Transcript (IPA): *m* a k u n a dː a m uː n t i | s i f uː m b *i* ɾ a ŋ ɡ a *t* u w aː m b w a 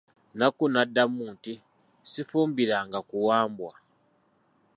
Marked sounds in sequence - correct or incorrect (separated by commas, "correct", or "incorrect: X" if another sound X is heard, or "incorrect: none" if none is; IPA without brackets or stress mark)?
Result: incorrect: n, correct, incorrect: k